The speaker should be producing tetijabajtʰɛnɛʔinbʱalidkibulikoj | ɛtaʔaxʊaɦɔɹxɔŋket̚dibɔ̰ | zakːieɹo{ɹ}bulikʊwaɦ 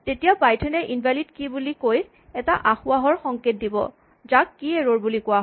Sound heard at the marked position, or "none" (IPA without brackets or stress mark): ɹ